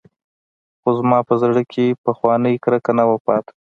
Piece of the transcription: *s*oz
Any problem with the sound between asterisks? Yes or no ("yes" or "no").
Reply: yes